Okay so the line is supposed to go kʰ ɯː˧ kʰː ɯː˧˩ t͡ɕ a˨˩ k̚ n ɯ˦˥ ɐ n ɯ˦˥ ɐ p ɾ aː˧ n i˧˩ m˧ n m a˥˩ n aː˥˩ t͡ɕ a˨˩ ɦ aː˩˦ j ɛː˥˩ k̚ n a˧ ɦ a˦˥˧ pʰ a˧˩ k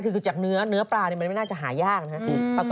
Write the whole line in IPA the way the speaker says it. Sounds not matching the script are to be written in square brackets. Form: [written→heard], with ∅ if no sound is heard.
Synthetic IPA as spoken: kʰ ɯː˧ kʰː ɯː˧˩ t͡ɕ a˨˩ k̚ n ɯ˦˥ ɐ n ɯ˦˥ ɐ p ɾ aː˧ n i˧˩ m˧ n m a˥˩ n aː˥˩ t͡ɕ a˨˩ ɦ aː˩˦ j [ɛː˥˩→aː˥˩] k̚ n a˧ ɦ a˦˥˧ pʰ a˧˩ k